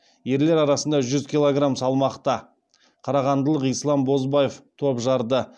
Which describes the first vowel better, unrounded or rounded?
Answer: unrounded